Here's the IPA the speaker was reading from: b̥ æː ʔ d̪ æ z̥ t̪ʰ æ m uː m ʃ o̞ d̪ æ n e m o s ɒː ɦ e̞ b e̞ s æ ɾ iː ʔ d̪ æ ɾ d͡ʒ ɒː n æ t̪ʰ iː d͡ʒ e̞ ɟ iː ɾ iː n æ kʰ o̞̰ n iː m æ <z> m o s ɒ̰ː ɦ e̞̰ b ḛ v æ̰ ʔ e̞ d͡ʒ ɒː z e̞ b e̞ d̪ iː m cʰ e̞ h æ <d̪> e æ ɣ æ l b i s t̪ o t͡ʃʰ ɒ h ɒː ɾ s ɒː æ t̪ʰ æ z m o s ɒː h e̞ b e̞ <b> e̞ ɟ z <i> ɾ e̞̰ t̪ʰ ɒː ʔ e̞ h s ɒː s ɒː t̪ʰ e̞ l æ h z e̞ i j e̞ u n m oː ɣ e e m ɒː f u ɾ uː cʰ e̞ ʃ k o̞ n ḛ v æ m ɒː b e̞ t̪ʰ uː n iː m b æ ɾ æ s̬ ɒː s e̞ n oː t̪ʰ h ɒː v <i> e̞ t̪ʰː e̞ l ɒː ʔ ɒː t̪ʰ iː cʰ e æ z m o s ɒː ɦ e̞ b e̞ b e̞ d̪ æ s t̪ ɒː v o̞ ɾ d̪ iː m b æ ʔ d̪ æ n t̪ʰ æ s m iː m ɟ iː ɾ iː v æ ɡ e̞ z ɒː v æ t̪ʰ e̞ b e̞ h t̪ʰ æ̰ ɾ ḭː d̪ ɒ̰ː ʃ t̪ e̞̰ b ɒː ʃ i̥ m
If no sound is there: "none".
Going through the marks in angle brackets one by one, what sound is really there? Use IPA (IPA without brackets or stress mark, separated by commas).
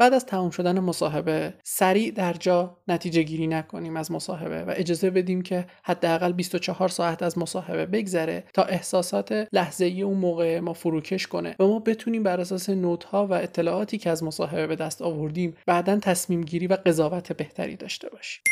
z, d̪ː, b, æ, æ